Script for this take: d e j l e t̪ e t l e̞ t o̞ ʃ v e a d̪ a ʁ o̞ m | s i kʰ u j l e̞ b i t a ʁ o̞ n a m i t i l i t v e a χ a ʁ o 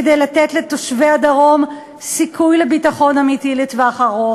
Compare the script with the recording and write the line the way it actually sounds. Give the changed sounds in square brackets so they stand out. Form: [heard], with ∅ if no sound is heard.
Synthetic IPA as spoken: d e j l [a] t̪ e t l e̞ t o̞ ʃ v e a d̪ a ʁ o̞ m | s i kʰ u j l e̞ b i t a [χ] o̞ n a m i t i l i t v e a χ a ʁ o